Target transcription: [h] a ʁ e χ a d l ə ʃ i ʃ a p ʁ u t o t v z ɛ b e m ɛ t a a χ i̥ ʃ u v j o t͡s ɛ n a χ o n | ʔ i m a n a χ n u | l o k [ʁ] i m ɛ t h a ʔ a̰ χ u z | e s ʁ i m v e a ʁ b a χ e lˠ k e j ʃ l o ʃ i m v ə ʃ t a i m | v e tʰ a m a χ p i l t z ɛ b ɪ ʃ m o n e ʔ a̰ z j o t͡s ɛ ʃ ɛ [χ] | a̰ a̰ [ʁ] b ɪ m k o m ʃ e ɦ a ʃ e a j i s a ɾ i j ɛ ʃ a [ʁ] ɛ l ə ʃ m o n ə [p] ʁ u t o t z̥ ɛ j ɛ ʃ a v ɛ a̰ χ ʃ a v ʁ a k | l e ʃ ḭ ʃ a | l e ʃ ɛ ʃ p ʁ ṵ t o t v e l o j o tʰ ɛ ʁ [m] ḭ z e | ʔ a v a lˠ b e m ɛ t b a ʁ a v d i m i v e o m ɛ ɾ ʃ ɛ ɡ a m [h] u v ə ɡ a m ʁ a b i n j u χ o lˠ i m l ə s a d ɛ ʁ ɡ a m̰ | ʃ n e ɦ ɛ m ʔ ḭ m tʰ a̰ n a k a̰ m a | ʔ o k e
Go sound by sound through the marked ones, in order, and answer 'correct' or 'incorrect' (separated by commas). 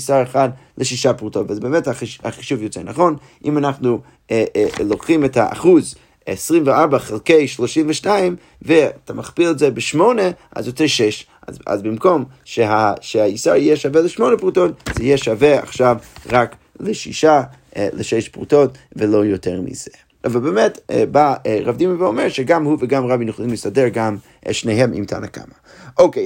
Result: incorrect, incorrect, incorrect, incorrect, incorrect, correct, correct, correct